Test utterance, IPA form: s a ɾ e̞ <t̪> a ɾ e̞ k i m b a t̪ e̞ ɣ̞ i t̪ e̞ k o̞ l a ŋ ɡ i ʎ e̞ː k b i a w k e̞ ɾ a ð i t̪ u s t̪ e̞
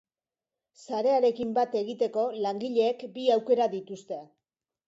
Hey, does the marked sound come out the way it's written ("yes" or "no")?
no